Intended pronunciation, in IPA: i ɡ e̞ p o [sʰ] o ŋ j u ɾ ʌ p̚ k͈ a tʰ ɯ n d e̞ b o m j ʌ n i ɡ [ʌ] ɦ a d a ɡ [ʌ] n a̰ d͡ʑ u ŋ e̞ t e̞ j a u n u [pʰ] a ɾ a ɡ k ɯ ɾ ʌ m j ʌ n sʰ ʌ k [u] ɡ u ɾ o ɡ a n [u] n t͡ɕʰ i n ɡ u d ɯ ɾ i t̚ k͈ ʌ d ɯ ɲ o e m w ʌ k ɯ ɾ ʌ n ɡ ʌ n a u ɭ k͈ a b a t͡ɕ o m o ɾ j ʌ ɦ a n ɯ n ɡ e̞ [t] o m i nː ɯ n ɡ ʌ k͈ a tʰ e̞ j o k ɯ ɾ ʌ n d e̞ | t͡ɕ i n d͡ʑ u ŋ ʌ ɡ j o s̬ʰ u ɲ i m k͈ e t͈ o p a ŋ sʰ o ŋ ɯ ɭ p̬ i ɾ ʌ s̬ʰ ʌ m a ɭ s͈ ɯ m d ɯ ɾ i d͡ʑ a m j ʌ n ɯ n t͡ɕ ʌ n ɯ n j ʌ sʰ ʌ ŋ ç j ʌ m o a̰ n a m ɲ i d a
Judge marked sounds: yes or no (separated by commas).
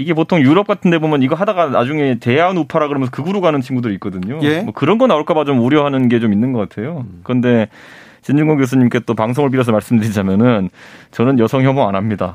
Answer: no, yes, no, yes, no, no, no